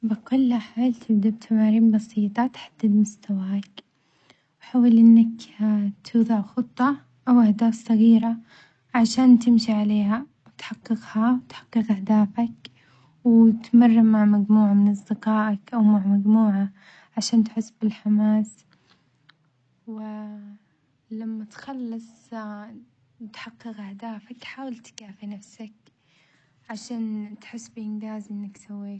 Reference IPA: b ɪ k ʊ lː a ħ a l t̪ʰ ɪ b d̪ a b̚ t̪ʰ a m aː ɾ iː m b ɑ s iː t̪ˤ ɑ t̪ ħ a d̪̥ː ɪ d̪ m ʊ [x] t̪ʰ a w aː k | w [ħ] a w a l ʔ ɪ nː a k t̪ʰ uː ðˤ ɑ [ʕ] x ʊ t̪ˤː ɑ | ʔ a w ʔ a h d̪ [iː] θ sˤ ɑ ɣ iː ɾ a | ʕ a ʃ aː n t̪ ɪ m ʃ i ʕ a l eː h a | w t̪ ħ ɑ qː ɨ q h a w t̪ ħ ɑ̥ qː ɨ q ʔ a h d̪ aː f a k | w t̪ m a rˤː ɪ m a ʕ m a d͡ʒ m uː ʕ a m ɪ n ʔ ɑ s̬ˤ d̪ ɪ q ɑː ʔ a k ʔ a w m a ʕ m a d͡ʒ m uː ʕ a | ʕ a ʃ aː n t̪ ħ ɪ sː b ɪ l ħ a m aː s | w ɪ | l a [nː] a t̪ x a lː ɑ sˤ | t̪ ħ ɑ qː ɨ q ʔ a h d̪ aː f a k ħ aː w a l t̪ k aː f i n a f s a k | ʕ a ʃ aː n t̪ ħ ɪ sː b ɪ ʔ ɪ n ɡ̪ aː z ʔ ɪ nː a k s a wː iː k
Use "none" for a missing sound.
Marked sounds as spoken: s, ħ, ʕ, aː, mː

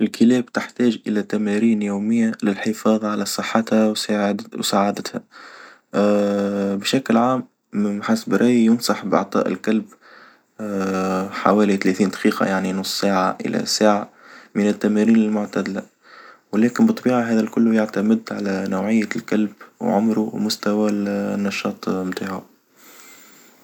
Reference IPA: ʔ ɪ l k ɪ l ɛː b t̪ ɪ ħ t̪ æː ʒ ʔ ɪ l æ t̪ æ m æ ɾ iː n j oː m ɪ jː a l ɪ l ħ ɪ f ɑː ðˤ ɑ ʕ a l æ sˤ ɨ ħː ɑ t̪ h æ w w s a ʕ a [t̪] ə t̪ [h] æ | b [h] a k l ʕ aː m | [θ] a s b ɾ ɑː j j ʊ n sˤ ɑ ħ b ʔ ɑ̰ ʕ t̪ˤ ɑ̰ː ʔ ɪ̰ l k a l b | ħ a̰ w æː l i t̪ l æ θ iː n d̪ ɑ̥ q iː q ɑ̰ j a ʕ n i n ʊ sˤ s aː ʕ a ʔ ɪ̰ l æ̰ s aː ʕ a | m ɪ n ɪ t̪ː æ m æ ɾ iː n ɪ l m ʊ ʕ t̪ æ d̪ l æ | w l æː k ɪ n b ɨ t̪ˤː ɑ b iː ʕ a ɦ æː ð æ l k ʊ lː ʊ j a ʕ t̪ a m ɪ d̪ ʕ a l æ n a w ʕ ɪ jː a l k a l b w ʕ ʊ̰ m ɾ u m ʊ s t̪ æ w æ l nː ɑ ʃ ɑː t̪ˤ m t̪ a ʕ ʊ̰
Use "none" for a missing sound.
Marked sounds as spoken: d̪, h, ʃ, ħ

